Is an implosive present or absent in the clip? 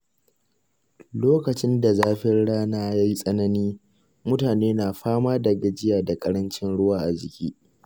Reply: absent